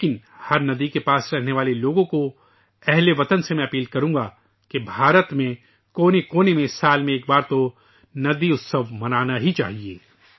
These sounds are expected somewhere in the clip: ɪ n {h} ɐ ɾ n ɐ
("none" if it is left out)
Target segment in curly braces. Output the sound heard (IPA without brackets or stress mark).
h